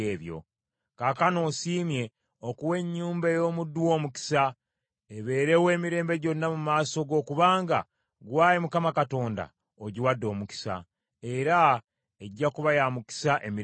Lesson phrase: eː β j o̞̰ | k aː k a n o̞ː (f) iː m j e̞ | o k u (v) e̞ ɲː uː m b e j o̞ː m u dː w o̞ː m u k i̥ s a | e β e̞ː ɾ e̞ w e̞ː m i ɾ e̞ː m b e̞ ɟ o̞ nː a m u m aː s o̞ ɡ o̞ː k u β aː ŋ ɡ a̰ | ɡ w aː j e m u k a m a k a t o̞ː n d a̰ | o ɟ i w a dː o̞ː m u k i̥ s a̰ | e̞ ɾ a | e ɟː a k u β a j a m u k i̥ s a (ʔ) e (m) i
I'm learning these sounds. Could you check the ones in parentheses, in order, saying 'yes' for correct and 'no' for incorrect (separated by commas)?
no, no, yes, yes